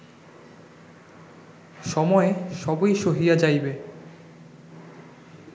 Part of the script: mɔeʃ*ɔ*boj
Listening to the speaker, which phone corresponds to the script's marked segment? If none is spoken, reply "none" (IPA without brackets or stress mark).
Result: ɔ